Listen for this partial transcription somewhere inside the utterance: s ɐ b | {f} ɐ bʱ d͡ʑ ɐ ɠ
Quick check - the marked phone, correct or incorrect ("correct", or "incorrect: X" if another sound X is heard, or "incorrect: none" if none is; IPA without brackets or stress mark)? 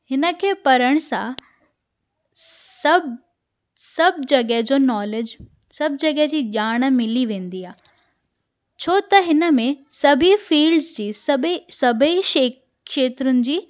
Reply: incorrect: s